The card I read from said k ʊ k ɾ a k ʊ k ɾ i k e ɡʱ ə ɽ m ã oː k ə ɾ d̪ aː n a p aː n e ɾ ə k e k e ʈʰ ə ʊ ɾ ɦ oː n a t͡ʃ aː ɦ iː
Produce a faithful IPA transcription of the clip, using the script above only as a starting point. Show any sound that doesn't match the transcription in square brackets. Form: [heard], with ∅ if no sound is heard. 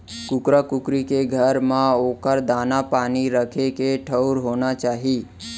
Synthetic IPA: k ʊ k ɾ a k ʊ k ɾ i k e ɡʱ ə [ɾ] m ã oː k ə ɾ d̪ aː n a p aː n [i] ɾ ə [kʰ] e k e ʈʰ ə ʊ ɾ ɦ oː n a t͡ʃ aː ɦ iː